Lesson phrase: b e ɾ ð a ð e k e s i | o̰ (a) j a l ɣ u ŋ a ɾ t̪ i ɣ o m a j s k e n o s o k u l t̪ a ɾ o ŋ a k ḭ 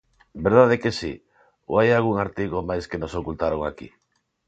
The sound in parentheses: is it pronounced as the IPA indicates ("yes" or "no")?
yes